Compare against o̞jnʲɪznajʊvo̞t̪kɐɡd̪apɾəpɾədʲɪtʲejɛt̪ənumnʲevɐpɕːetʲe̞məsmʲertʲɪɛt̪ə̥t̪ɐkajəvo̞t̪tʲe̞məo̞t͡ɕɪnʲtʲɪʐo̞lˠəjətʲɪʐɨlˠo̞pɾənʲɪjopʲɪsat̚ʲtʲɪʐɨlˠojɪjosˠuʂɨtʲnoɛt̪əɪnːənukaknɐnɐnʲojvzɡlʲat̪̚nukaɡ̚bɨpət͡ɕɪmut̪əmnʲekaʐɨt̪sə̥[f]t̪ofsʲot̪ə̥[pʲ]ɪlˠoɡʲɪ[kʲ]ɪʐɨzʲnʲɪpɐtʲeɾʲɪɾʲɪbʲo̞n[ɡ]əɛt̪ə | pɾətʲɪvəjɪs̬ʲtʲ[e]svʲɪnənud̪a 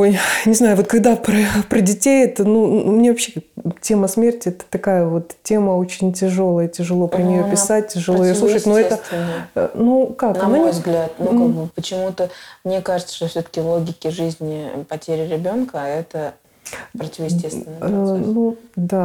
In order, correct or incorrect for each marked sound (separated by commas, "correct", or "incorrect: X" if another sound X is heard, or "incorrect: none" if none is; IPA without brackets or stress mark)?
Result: incorrect: ʂ, incorrect: kʲ, correct, incorrect: k, correct